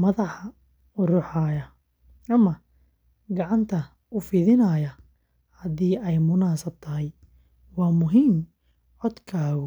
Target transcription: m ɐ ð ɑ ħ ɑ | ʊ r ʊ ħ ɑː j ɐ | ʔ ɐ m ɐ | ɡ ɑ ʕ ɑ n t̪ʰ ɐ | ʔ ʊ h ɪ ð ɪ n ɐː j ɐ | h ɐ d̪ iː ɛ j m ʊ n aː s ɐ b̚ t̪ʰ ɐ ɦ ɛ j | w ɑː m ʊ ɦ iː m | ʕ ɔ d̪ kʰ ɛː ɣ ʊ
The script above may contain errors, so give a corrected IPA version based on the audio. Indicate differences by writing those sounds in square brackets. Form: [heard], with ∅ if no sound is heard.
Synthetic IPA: m ɐ ð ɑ ħ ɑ | ʊ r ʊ ħ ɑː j ɐ | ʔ ɐ m ɐ | ɡ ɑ ʕ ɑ n t̪ʰ ɐ | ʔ ʊ [f] ɪ ð ɪ n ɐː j ɐ | h ɐ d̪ iː ɛ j m ʊ n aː s ɐ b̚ t̪ʰ ɐ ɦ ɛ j | w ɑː m ʊ ɦ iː m | ʕ ɔ d̪ kʰ [aː] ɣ ʊ